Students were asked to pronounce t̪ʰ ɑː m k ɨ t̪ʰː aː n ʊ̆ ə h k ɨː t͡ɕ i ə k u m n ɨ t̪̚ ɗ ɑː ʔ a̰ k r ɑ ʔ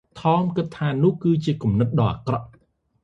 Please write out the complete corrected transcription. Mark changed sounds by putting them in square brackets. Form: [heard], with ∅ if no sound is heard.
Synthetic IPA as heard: t̪ʰ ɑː m k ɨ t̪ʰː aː n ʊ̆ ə h k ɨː t͡ɕ i ə k u m n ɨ t̪̚ ɗ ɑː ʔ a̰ k r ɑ ʔ